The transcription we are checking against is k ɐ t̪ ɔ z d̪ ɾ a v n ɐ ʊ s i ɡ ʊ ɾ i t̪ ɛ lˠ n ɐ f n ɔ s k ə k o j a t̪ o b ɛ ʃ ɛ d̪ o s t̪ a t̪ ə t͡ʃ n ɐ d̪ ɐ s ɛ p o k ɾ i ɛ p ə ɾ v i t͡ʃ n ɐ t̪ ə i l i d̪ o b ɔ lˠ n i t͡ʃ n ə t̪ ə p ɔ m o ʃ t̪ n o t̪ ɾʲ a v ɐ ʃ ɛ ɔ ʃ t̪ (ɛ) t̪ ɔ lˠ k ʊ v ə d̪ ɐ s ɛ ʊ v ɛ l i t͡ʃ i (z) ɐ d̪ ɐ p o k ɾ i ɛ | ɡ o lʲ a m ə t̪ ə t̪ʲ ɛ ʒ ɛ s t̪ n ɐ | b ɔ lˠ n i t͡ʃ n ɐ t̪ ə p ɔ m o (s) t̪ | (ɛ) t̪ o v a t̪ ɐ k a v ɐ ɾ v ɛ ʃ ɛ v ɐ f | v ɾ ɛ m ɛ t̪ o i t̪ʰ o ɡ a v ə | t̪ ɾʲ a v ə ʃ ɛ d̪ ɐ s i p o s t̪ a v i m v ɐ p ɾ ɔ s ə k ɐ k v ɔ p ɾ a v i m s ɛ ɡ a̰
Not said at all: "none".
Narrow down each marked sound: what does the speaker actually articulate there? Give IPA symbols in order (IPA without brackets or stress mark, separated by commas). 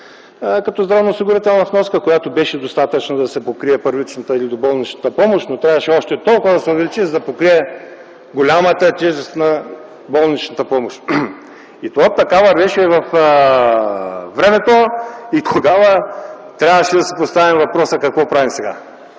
ɛ, z, ʃ, i